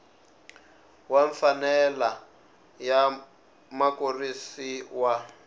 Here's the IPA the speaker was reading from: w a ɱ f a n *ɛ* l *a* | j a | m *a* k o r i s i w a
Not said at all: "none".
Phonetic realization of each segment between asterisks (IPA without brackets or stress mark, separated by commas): ɛ, a, a